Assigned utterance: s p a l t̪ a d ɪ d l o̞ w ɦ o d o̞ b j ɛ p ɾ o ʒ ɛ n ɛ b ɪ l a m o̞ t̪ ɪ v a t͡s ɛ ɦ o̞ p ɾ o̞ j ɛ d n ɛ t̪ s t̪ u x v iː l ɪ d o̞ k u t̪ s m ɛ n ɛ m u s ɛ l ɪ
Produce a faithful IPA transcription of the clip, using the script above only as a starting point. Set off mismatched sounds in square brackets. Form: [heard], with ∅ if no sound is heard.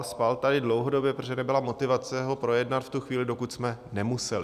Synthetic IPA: s p a l t̪ a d ɪ d l o̞ w ɦ o d o̞ b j ɛ p ɾ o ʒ ɛ n ɛ b ɪ l a m o̞ t̪ ɪ v a t͡s ɛ ɦ o̞ p ɾ o̞ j ɛ d n [a] t̪ [f] t̪ u x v iː l ɪ d o̞ k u t̪ s m ɛ n ɛ m u s ɛ l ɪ